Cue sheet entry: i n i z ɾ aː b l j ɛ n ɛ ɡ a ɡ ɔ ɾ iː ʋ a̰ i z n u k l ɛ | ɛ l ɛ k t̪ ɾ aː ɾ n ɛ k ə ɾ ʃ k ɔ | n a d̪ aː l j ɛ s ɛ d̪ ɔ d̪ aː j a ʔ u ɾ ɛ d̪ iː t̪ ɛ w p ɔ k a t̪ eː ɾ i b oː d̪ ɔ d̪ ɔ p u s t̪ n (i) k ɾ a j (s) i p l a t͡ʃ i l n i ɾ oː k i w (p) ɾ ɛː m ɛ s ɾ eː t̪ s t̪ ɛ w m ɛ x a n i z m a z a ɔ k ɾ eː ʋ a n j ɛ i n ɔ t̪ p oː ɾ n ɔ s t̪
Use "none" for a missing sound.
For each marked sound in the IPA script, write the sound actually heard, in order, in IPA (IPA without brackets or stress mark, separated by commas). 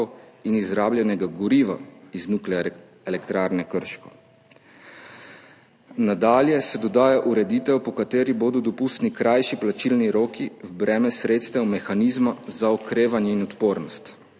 i, ʃ, b